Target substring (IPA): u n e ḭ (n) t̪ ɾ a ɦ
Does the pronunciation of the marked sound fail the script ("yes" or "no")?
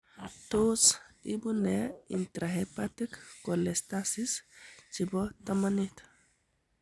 no